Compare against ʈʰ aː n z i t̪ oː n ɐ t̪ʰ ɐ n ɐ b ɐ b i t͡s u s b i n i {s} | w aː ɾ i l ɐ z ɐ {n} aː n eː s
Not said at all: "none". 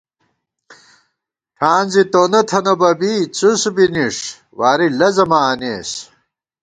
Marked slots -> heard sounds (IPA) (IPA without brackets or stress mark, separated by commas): ʂ, m